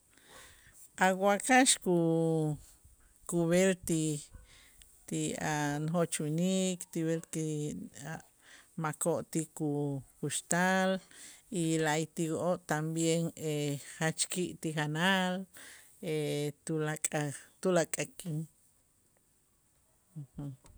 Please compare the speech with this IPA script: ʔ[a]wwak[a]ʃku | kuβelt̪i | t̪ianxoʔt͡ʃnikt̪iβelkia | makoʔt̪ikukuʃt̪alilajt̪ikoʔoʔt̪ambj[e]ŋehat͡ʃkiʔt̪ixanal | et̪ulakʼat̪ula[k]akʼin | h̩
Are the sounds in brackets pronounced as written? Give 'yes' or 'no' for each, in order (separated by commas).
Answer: yes, yes, yes, no